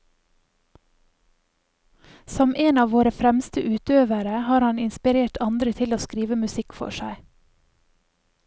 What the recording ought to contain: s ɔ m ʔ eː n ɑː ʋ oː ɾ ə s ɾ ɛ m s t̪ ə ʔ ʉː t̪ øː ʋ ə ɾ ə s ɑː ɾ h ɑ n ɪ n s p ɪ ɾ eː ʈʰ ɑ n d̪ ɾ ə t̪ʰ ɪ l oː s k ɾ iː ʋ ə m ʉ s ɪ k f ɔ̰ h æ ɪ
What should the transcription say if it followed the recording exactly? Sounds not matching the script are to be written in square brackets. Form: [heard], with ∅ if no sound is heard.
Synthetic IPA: s ɔ m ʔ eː n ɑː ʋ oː ɾ ə [f] ɾ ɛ m s t̪ ə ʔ ʉː t̪ øː ʋ ə ɾ ə [h] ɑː ɾ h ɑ n ɪ n s p ɪ ɾ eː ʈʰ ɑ n d̪ ɾ ə t̪ʰ ɪ l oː s k ɾ iː ʋ ə m ʉ s ɪ k f ɔ̰ [ʃ] æ ɪ